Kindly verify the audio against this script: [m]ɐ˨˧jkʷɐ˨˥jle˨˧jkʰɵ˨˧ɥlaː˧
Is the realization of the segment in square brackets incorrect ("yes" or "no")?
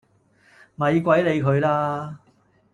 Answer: no